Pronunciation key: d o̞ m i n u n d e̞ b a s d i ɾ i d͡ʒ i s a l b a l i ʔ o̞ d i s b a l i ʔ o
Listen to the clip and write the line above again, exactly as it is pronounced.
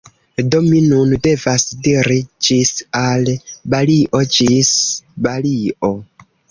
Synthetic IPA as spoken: d o̞ m i n u n d e̞ v a s d i ɾ i d͡ʒ i s a l b a l i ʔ o̞ d͡ʒ i s b a l i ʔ o